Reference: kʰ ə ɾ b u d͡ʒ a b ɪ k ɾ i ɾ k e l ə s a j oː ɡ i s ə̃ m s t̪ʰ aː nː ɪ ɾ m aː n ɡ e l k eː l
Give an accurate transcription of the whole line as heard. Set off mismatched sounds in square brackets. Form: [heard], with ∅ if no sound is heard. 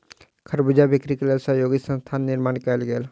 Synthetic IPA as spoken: kʰ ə ɾ b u d͡ʒ a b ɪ k ɾ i [∅] k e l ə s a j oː ɡ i s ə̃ [n] s t̪ʰ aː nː ɪ ɾ m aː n [k] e l [ɡ] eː l

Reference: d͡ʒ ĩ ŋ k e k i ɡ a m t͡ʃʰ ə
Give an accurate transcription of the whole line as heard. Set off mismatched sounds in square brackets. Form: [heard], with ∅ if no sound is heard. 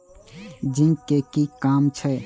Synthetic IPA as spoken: d͡ʒ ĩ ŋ k e k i [k] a m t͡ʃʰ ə

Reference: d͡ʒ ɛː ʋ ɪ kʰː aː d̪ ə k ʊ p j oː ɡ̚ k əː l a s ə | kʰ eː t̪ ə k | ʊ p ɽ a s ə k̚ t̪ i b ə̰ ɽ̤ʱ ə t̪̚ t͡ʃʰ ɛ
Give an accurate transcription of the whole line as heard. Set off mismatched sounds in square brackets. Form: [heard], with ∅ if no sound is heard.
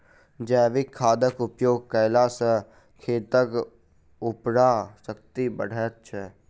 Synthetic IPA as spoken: d͡ʒ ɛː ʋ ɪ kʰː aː d̪ ə k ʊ p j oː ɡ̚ k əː l a s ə | kʰ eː t̪ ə k | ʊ p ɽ a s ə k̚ t̪ i b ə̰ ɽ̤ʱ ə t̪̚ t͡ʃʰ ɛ

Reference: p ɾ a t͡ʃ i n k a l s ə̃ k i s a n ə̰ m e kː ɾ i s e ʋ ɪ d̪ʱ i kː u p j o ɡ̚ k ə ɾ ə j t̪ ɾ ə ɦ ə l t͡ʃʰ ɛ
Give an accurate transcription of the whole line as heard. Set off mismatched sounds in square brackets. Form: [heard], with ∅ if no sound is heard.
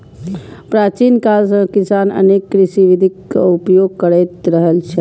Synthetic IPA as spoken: p ɾ a t͡ʃ i n k a l s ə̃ k i s a n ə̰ [n] e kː ɾ i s [i] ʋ [i] d̪ʱ i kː u p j o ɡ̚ k ə ɾ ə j t̪ ɾ ə ɦ ə l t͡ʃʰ ɛ

